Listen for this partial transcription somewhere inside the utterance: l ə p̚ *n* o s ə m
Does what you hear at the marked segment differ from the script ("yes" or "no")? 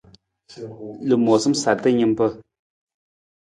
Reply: yes